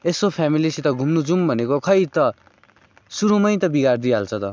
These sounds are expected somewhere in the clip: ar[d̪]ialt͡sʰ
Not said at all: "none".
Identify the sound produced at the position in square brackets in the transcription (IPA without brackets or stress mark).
d̪